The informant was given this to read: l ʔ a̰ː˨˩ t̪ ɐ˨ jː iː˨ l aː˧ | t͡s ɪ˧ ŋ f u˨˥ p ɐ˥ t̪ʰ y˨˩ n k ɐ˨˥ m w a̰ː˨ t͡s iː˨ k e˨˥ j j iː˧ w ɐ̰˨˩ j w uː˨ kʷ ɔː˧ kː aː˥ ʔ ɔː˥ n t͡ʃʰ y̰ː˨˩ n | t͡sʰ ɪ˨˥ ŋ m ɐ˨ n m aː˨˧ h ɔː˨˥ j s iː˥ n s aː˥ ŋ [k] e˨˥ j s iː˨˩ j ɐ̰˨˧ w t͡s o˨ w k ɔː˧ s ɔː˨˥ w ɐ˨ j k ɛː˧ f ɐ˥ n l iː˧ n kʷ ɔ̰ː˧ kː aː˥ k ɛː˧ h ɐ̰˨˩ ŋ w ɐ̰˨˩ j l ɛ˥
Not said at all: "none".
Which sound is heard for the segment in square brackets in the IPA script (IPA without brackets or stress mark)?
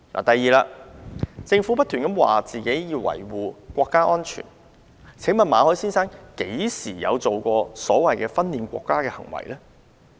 k